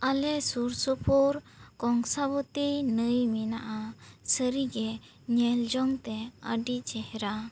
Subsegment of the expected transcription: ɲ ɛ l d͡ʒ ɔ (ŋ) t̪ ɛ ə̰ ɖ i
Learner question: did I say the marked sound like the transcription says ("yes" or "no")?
yes